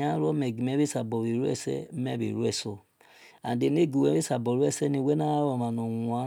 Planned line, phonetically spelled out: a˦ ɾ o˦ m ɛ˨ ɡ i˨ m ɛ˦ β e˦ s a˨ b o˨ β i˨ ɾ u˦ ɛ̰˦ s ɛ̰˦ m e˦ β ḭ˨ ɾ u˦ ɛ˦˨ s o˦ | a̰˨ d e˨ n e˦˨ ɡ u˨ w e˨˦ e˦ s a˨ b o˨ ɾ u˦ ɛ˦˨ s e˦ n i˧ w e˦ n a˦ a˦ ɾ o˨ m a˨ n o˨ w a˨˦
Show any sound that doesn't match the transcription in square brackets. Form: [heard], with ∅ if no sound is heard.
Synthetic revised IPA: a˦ ɾ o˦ m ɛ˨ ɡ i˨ m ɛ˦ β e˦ s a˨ b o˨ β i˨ ɾ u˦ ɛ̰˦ s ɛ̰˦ m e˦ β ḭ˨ ɾ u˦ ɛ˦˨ s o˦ | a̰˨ d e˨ n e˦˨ ɡ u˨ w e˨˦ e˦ s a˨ b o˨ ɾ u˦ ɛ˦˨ s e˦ n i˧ w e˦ n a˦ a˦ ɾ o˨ m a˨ n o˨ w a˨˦